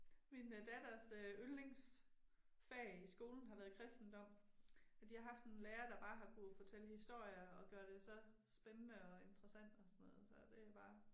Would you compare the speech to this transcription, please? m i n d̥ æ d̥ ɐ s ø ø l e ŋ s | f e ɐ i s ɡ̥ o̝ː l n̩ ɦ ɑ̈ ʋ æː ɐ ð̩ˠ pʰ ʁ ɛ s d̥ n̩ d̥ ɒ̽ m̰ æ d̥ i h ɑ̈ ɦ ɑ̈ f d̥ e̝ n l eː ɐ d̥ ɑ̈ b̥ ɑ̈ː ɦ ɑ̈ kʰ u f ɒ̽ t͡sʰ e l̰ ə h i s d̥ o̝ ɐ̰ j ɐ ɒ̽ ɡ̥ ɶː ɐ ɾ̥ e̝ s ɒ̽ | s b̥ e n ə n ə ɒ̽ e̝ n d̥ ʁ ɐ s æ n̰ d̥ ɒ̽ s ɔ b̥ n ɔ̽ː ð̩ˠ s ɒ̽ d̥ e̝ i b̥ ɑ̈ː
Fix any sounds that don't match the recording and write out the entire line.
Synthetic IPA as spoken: m i n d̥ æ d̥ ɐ s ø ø l e ŋ s | f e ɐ i s ɡ̥ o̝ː l n̩ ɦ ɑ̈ ʋ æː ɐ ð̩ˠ kʰ ʁ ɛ s d̥ n̩ d̥ ɒ̽ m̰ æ d̥ i h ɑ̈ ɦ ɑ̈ f d̥ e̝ n l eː ɐ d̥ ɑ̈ b̥ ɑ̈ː ɦ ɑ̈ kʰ u f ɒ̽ t͡sʰ e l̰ ə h i s d̥ o̝ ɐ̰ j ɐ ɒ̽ ɡ̥ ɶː ɐ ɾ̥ e̝ s ɒ̽ | s b̥ e n ə n ə ɒ̽ e̝ n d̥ ʁ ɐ s æ n̰ d̥ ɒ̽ s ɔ n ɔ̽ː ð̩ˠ s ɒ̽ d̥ e̝ æ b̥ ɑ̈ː

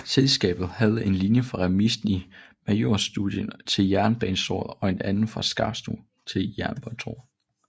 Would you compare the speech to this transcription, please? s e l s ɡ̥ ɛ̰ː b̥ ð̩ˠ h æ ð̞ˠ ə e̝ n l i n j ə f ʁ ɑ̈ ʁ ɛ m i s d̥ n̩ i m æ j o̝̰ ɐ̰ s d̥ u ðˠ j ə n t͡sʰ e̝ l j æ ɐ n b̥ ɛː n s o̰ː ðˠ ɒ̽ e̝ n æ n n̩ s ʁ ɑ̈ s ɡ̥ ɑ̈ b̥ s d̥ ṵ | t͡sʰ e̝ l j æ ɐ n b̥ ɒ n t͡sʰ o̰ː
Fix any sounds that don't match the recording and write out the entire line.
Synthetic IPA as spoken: s e l s ɡ̥ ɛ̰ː b̥ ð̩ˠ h æ ð̞ˠ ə e̝ n l i n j ə f ʁ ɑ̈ ʁ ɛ m i s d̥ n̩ i m æ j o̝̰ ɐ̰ s d̥ u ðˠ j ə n t͡sʰ e̝ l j æ ɐ n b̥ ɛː n s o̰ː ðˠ ɒ̽ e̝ n æ n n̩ f ʁ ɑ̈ s ɡ̥ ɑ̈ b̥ s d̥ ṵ | t͡sʰ e̝ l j æ ɐ n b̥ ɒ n t͡sʰ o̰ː

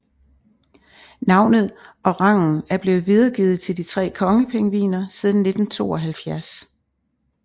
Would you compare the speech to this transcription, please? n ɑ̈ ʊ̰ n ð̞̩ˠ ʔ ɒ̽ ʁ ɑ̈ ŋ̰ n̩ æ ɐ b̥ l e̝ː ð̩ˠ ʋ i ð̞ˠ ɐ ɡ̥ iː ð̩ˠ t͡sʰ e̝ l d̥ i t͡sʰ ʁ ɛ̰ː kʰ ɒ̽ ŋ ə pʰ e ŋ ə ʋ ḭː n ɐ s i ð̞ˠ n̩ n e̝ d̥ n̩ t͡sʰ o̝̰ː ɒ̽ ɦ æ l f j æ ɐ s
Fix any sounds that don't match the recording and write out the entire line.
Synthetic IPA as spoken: n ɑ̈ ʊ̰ n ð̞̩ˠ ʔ ɒ̽ ʁ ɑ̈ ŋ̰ n̩ æ ɐ b̥ l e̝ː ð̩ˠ ʋ i ð̞ˠ ɐ ɡ̥ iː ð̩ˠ t͡sʰ e̝ l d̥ i t͡sʰ ʁ ɛ̰ː kʰ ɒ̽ ŋ ə pʰ e ŋ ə ʋ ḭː n ɐ s i ð̞ˠ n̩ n e̝ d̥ n̩ t͡sʰ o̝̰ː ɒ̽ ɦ æ l f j æ ɐ s

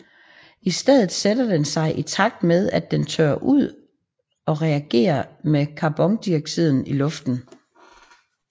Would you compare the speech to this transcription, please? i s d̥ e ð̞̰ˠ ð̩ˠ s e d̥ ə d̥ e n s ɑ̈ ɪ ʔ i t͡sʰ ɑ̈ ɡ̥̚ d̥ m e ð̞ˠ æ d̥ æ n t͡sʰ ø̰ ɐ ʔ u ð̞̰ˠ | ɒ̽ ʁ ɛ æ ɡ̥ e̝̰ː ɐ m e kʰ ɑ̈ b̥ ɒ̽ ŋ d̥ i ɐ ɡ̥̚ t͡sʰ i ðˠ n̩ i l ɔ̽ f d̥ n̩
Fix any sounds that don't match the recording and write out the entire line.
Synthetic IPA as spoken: i s d̥ e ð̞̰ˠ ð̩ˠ s e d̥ ɐ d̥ e n s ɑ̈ ɪ ʔ i t͡sʰ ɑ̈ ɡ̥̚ d̥ m e ð̞ˠ æ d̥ e n t͡sʰ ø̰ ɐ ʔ u ð̞̰ˠ | ɒ̽ ʁ ɛ æ ɡ̥ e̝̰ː ɐ m e kʰ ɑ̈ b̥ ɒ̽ ŋ d̥ i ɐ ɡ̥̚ t͡sʰ i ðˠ n̩ i l ɔ̽ f d̥ n̩

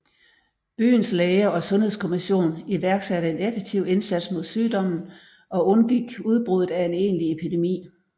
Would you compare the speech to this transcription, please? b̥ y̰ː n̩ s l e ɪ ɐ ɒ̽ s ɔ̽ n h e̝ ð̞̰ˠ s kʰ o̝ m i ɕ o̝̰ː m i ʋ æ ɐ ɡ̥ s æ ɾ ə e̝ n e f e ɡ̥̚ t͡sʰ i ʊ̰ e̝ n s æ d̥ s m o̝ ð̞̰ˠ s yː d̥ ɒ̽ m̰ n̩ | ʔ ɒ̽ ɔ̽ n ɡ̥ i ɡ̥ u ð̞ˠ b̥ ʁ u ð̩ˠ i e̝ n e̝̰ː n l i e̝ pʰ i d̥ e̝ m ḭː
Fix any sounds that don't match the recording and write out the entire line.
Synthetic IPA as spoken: b̥ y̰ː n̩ s l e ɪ ɐ ɒ̽ s ɔ̽ n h e̝ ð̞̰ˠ s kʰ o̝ m i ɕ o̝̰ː n i ʋ æ ɐ ɡ̥ s æ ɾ ə e̝ n e f e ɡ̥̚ t͡sʰ i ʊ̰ e̝ n s æ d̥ s m o̝ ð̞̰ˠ s yː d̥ ɒ̽ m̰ n̩ | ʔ ɒ̽ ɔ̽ n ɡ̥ i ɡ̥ u ð̞ˠ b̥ ʁ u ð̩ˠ æ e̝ n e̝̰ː n l i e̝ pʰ i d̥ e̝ m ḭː

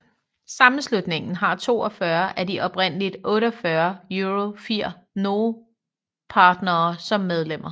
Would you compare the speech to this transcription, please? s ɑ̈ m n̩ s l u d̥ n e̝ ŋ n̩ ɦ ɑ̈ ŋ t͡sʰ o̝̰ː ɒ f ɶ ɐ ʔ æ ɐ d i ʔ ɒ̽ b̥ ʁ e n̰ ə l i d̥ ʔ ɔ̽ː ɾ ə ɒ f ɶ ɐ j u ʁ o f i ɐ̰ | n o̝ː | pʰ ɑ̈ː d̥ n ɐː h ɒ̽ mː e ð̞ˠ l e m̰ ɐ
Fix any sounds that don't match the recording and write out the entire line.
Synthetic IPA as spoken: s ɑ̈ m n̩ s l u d̥ n e̝ ŋ n̩ ɦ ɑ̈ t͡sʰ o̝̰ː ɒ f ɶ ɐ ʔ æ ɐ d i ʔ ɒ̽ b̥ ʁ e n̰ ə l i d̥ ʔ ɔ̽ː ɾ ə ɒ f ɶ ɐ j u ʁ o f i ɐ̰ | n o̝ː | pʰ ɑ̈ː d̥ n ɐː s ɒ̽ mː e ð̞ˠ l e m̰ ɐ

